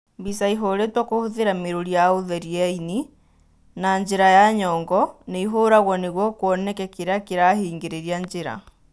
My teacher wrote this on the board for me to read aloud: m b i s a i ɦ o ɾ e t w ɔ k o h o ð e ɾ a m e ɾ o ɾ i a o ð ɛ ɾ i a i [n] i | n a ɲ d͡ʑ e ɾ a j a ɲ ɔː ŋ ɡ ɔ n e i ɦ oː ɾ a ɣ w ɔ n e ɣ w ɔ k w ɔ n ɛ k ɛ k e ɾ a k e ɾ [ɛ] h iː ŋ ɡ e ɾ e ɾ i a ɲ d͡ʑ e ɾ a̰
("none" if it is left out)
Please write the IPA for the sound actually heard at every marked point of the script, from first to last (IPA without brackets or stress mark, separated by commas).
n, a